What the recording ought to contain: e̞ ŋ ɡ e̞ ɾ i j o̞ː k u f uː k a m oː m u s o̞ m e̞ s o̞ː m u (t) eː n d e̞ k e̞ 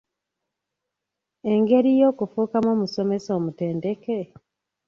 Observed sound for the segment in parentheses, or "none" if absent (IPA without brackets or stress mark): t